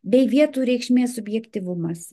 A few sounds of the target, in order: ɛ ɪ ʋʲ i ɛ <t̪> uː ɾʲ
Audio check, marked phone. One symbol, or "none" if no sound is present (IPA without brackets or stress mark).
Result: t̪